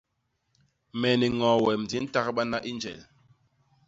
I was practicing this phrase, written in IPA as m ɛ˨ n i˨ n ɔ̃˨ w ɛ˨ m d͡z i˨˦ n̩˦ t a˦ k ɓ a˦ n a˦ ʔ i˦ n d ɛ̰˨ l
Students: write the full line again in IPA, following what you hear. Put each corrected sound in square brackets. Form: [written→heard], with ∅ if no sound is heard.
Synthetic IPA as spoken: m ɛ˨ n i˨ [n→ŋ] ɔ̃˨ w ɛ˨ m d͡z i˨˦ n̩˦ t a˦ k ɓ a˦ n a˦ ʔ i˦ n [d→d͡ʒ] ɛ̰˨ l